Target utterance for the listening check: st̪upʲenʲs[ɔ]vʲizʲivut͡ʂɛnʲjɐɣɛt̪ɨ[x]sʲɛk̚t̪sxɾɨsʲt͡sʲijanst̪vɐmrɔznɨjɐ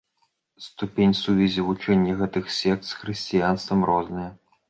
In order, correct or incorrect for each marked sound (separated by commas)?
incorrect, correct